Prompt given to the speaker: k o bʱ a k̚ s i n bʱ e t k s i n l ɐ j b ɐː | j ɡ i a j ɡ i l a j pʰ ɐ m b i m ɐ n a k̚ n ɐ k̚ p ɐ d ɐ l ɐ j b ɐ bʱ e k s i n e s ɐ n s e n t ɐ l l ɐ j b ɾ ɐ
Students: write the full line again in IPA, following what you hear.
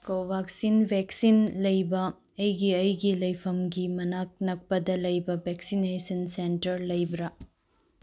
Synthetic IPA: k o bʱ a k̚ s i n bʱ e k s i n l ɐ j b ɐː | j ɡ i ɐ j ɡ i l ɐ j pʰ ɐ m ɡ i m ɐ n a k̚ n ɐ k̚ p ɐ d ɐ l ɐ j b ɐ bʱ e k s i n e s ɐ n s e n t ɐ ɾ l ɐ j b ɾ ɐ

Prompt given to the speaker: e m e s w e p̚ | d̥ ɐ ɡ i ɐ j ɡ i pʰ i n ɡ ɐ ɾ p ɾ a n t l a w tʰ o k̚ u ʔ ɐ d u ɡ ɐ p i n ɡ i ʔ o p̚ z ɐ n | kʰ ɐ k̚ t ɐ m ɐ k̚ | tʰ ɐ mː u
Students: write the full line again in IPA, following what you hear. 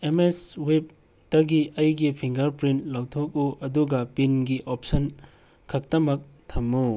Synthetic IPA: e m e s w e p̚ | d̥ ɐ ɡ i ɐ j ɡ i pʰ i ŋ ɡ ɐ ɾ p ɾ i n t l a w tʰ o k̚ u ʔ ɐ d u ɡ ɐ p i n ɡ i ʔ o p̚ s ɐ n | kʰ ɐ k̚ t ɐ m ɐ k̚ | tʰ ɐ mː u

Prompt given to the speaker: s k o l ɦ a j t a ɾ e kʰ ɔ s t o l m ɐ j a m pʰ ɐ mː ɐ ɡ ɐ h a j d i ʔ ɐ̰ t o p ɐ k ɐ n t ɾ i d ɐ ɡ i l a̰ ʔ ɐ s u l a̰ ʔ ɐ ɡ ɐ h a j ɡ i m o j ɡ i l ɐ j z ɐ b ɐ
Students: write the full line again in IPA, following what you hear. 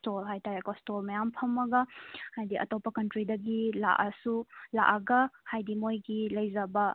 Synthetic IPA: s t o l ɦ a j t a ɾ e k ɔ s t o l m ɐ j a m pʰ ɐ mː ɐ ɡ ɐ h a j d i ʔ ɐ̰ t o p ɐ k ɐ n t ɾ i d ɐ ɡ i l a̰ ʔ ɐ s u l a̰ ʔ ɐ ɡ ɐ h a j d i m o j ɡ i l ɐ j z ɐ b ɐ

